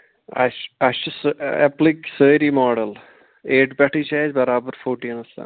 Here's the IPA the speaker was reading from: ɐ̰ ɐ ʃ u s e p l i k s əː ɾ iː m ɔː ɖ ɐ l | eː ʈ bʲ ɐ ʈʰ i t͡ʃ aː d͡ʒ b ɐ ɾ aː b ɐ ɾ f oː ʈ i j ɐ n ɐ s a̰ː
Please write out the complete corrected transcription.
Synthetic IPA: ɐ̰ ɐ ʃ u s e p l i k s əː ɾ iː m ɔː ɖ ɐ l | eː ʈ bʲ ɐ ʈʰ i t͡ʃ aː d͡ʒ b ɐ ɾ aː b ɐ ɾ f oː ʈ i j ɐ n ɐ s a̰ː

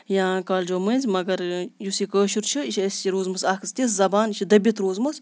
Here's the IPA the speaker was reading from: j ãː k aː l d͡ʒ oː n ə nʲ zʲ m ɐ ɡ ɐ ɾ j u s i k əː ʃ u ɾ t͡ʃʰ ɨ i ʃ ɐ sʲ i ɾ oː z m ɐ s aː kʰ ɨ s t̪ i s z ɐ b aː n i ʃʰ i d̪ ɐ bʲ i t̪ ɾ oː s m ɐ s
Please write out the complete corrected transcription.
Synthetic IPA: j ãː k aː l d͡ʒ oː m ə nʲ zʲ m ɐ ɡ ɐ ɾ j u s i k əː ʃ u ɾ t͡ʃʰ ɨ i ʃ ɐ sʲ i ɾ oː z m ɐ s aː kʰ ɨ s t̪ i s z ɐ b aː n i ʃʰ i d̪ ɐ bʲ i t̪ ɾ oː z m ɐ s

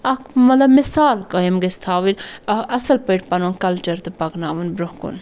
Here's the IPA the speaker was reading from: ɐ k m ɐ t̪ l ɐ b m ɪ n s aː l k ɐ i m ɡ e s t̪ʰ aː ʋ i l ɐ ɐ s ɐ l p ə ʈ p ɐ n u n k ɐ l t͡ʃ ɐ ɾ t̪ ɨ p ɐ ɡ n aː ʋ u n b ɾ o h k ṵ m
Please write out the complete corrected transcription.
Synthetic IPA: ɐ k m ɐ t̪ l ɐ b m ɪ s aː l k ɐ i m ɡ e s t̪ʰ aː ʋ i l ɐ ɐ s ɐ l p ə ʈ p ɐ n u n k ɐ l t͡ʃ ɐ ɾ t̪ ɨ p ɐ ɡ n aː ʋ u n b ɾ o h k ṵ n

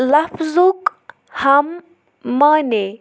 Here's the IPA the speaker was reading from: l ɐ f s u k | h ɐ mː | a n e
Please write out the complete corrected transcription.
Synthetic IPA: l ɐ f z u k | h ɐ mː | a n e

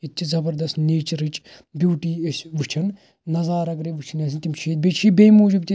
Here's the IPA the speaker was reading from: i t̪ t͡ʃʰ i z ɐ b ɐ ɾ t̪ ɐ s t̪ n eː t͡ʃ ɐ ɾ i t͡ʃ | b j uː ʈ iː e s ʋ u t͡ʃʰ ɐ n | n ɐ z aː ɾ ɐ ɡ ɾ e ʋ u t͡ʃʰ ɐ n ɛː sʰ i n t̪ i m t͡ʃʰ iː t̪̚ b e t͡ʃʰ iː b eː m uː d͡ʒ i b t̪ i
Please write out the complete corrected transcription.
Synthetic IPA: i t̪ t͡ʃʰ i z ɐ b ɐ ɾ d̪ ɐ s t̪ n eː t͡ʃ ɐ ɾ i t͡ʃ | b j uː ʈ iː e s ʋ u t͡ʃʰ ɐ n | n ɐ z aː ɾ ɐ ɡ ɾ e ʋ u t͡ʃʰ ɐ n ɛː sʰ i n t̪ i m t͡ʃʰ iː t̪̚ b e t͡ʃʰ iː b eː m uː d͡ʒ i b t̪ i

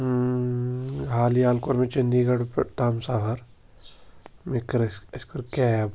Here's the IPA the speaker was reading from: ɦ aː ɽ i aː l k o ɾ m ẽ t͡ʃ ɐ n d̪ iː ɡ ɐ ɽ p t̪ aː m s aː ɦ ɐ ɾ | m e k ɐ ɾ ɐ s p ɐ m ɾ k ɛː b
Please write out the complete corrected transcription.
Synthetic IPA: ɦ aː l i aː l k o ɾ m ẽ t͡ʃ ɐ n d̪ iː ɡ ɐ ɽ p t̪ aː m s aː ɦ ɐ ɾ | m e k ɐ ɾ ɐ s k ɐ ɾ k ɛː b

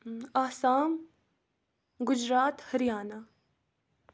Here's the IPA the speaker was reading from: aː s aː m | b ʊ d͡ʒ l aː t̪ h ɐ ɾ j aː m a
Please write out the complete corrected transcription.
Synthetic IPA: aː s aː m | ɡ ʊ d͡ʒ ɾ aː t̪ h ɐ ɾ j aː n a

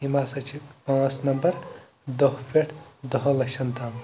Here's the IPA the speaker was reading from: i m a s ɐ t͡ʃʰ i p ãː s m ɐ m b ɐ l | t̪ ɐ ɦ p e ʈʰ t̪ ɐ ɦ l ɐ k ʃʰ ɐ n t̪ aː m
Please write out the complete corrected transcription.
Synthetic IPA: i m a s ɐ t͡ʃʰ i p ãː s n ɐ m b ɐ ɾ | d̪ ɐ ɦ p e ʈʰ d̪ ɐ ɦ l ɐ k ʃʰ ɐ n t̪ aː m

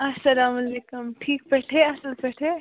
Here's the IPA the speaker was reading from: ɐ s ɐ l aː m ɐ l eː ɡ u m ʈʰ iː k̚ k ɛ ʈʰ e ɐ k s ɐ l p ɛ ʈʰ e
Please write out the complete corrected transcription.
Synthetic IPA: ɐ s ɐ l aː m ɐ l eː k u m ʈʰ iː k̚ p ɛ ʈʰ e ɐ s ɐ l p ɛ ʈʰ e

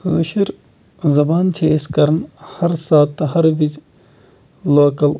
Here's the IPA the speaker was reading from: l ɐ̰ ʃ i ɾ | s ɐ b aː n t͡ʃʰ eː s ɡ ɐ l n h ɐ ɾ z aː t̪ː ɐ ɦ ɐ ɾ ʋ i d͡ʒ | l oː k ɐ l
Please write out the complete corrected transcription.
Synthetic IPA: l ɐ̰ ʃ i ɾ | z ɐ b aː n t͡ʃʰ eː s k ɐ ɾ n h ɐ ɾ s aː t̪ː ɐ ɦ ɐ ɾ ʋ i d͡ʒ | l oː k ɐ l

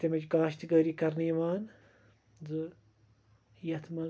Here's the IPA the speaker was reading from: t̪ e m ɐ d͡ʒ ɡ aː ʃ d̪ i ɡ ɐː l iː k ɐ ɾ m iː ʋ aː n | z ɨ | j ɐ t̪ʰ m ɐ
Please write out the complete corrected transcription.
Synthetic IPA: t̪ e m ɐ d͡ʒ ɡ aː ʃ t̪ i ɡ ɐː ɾ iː k ɐ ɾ n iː ʋ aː n | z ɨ | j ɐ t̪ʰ m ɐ

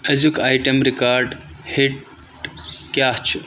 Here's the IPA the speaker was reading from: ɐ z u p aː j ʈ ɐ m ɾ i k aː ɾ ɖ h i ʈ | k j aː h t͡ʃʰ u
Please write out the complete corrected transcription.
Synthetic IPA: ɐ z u k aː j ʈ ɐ m ɾ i k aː ɾ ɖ h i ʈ | k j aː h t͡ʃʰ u

